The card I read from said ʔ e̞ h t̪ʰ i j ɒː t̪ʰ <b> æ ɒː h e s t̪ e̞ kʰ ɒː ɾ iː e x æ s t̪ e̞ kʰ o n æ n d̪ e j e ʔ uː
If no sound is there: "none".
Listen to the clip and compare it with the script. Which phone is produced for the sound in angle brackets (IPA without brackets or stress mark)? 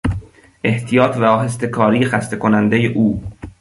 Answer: v